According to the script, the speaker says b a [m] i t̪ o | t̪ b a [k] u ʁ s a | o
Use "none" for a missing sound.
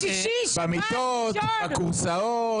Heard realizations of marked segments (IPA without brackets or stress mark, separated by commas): m, k